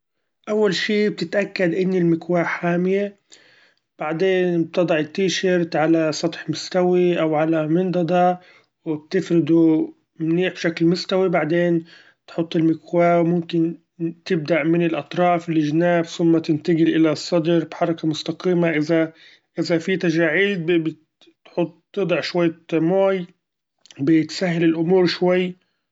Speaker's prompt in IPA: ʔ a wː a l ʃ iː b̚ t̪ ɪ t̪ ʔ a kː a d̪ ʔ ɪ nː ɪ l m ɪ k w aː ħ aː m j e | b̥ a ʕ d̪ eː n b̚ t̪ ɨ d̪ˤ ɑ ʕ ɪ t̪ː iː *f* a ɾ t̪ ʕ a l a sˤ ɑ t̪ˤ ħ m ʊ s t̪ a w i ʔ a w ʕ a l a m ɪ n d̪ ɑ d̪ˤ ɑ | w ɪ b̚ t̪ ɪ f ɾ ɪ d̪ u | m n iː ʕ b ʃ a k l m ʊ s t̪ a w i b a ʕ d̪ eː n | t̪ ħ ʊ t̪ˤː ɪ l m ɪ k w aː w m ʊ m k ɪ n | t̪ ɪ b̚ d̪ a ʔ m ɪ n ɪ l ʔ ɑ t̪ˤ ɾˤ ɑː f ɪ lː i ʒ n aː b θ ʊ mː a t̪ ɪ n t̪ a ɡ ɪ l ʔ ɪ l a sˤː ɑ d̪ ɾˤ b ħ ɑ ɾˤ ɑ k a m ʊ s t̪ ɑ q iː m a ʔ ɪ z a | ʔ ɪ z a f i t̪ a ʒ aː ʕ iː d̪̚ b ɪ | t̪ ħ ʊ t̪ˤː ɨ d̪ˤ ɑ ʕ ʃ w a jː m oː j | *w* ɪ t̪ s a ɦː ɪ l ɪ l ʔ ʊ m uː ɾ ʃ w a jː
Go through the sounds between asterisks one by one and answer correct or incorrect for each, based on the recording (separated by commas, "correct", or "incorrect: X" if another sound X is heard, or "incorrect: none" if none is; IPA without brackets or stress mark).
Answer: incorrect: ʃ, incorrect: b